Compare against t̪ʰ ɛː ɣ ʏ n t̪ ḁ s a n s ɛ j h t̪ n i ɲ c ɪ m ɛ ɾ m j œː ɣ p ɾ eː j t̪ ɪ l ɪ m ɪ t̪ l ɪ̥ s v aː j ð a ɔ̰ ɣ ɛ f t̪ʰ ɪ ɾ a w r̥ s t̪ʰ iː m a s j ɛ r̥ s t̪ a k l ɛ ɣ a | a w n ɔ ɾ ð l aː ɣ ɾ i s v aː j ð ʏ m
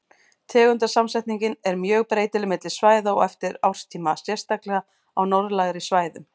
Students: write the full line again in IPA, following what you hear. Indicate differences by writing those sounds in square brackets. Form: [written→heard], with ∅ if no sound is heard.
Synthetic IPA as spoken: t̪ʰ ɛː ɣ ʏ n t̪ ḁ s a [n→m] s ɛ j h t̪ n i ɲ c ɪ [m→n] ɛ ɾ m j œː ɣ p ɾ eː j t̪ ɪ l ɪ m ɪ t̪ l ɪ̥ s v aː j ð a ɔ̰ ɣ ɛ f [t̪ʰ→t̪] ɪ ɾ a w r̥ s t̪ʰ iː m a s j ɛ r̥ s t̪ a k l ɛ ɣ a | a w n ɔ ɾ ð l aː ɣ ɾ i s v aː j ð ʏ m